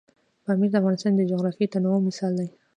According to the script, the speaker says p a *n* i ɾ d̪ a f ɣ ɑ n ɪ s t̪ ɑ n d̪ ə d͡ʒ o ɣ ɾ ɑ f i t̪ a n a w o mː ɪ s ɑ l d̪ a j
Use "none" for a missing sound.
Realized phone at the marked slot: m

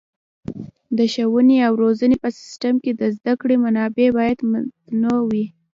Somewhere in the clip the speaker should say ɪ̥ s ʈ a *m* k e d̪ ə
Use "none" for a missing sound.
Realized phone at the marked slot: m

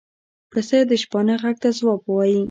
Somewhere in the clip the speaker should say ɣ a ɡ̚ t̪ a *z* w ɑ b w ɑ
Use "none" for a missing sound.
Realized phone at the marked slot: z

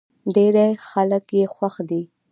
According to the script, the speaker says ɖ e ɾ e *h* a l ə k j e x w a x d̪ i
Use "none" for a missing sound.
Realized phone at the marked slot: x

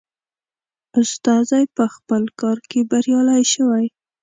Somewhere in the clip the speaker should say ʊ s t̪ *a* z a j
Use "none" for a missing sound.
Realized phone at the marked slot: ɑ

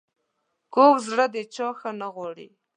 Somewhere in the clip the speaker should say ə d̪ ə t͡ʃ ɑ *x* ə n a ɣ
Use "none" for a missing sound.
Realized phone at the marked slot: x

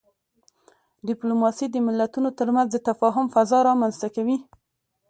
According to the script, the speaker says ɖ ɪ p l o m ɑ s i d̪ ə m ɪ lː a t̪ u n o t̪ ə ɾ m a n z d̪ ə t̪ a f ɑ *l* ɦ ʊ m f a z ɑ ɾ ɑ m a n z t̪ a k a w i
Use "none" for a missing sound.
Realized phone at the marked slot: none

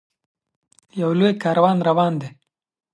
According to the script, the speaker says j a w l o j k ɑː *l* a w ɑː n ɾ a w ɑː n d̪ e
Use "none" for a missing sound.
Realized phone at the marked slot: ɾ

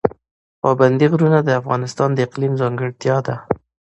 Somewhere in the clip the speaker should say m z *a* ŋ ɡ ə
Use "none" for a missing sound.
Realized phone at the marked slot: ɑ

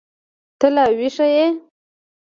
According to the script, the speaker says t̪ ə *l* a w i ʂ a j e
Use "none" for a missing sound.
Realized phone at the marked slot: l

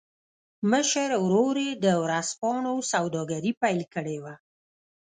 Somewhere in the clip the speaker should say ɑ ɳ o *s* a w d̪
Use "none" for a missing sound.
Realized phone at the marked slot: s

